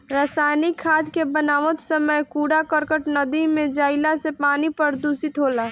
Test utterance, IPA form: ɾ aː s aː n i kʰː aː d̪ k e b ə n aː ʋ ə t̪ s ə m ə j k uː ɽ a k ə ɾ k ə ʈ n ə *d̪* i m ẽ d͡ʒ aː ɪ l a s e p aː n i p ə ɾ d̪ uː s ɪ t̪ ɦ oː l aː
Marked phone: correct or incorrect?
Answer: correct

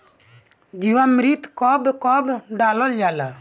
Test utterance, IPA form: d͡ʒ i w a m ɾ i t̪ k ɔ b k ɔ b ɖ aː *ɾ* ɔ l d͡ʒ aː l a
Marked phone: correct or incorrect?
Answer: incorrect: l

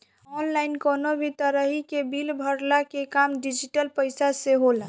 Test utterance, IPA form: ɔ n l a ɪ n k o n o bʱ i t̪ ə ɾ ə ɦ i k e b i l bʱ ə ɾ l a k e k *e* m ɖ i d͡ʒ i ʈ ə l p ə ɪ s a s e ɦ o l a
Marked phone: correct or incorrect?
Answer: incorrect: a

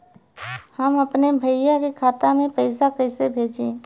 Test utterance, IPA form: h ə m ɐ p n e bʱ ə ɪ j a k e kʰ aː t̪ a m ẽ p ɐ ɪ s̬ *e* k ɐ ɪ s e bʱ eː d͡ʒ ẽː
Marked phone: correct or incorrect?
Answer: incorrect: a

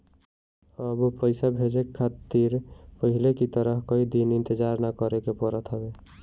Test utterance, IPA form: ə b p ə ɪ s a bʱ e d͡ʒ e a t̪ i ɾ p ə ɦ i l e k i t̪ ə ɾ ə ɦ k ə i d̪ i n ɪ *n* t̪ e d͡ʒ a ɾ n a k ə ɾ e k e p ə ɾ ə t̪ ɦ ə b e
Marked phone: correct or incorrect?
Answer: correct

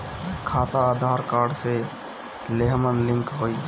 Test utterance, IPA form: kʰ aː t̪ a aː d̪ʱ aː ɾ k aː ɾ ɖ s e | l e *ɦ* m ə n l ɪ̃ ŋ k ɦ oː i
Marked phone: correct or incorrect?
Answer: correct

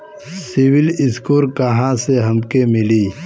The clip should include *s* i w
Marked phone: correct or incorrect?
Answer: correct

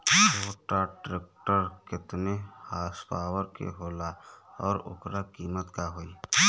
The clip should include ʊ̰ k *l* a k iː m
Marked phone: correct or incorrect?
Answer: incorrect: ɾ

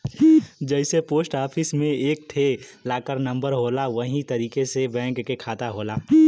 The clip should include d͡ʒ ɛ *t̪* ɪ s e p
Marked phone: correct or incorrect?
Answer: incorrect: none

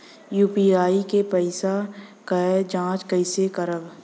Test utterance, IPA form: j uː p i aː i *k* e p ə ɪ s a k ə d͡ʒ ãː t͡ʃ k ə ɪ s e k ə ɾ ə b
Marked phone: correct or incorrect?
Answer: correct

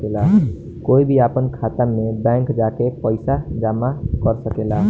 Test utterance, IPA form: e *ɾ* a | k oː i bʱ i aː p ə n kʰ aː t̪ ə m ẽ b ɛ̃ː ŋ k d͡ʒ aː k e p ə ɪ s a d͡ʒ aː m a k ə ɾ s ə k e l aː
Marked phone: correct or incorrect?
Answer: incorrect: l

